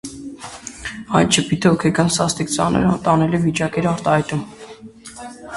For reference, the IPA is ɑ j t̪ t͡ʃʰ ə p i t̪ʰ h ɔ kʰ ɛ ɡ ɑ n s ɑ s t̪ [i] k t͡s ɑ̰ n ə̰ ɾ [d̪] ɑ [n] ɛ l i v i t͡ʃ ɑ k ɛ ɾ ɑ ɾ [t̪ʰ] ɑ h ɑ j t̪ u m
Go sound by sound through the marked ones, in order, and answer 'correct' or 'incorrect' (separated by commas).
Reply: correct, incorrect, correct, incorrect